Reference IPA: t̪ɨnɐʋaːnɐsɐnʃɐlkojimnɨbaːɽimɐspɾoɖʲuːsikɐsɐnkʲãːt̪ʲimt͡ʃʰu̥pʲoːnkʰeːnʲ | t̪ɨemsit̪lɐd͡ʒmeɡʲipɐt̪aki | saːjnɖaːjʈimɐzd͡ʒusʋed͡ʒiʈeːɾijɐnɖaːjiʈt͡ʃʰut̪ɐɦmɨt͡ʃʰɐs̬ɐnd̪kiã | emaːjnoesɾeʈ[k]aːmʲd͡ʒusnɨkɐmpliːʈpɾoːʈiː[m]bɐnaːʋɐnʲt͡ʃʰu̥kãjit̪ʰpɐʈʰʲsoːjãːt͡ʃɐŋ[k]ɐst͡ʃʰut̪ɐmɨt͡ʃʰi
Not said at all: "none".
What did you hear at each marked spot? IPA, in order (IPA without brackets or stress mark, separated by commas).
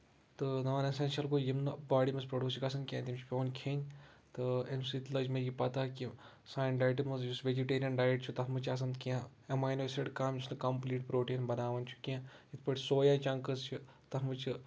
k, n, k